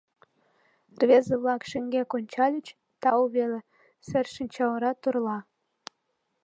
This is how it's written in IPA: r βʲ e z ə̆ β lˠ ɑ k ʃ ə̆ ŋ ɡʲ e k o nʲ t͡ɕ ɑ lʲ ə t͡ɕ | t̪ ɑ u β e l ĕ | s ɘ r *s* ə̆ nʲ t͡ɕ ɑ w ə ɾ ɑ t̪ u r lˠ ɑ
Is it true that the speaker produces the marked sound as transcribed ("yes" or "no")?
no